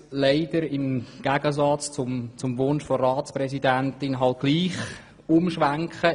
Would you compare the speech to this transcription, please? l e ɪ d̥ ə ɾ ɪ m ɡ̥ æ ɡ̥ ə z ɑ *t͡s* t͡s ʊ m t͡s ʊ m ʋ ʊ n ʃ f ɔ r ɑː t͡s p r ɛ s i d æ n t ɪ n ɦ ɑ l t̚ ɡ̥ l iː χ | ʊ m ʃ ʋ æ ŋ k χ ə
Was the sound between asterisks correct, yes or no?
yes